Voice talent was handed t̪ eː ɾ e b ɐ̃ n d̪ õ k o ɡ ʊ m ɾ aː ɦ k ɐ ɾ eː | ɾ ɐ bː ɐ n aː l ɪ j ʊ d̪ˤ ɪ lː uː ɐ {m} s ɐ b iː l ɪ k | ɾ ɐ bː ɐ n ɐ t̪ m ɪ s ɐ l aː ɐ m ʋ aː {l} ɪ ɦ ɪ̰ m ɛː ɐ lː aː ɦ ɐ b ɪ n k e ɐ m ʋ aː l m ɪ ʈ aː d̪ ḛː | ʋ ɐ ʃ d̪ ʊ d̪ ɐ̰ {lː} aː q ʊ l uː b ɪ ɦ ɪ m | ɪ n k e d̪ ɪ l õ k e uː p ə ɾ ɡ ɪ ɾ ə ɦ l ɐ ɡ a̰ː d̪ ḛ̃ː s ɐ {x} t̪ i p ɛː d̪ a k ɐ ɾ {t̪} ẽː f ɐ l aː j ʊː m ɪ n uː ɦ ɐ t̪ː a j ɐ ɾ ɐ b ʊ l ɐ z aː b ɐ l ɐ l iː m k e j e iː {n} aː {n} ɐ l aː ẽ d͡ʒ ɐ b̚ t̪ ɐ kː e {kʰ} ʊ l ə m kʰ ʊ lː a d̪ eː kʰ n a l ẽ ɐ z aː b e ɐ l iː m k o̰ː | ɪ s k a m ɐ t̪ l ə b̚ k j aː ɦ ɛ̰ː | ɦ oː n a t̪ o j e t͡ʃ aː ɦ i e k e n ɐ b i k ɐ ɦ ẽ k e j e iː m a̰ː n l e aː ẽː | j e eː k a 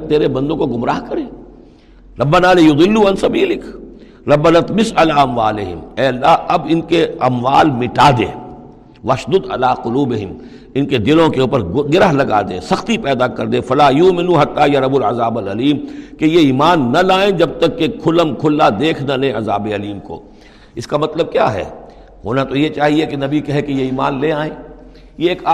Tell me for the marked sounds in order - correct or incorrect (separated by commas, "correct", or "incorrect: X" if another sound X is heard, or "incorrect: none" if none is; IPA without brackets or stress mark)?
incorrect: n, correct, incorrect: l, correct, incorrect: d̪, incorrect: m, incorrect: nː, correct